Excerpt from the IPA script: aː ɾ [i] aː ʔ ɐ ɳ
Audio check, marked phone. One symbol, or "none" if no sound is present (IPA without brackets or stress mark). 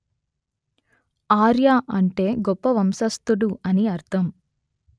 j